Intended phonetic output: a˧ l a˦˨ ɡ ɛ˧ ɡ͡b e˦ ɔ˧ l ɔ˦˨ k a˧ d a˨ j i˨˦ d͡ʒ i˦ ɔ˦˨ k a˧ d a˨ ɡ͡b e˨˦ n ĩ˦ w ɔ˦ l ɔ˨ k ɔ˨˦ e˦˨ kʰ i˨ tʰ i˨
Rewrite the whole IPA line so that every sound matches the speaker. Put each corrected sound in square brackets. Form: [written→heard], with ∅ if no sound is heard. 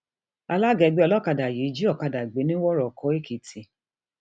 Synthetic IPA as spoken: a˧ l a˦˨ ɡ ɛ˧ ɡ͡b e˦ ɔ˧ l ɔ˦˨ k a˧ d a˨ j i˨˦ d͡ʒ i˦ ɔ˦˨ k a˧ d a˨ ɡ͡b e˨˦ n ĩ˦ w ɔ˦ [l→ɾ] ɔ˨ k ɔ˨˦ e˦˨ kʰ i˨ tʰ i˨